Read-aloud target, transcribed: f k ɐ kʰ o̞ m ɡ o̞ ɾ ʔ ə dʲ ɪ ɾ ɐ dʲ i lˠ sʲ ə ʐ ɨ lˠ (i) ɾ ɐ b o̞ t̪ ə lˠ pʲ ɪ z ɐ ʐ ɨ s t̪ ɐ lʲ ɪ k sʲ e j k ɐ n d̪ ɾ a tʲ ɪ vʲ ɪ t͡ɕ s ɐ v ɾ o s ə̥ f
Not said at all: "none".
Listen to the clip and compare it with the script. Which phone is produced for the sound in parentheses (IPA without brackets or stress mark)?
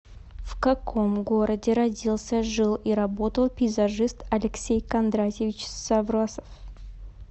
i